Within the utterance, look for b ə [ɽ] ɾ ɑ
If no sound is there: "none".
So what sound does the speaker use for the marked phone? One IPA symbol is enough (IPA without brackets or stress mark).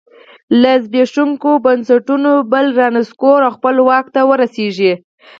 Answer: l